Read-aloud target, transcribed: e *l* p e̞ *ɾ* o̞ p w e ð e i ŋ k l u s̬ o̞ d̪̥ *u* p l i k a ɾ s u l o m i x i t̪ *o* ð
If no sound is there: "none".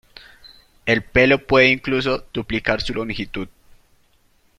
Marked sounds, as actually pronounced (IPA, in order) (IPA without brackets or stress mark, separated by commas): l, l, u, u